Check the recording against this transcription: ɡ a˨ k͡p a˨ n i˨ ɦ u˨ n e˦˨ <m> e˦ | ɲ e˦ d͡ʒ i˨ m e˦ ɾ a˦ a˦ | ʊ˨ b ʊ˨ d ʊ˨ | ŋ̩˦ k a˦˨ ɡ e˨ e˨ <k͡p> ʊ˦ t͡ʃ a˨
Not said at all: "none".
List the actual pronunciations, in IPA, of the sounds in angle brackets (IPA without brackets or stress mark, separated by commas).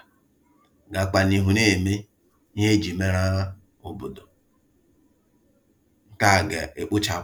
m, k͡p